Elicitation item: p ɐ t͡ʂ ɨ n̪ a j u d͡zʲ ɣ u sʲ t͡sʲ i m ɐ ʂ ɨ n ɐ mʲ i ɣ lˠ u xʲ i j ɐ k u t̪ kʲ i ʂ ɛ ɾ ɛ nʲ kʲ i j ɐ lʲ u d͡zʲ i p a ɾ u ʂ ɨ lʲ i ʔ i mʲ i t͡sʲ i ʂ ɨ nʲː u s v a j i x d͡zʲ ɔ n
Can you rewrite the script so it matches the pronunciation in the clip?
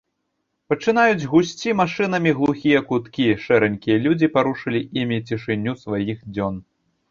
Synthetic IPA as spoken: p ɐ t͡ʂ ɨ n̪ a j u d͡zʲ ɣ u sʲ t͡sʲ i m a ʂ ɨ n ɐ mʲ i ɣ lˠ u xʲ i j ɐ k u t̪ kʲ i ʂ ɛ ɾ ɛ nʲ kʲ i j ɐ lʲ u d͡zʲ i p a ɾ u ʂ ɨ lʲ i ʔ i mʲ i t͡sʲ i ʂ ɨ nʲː u s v a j i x d͡zʲ ɔ n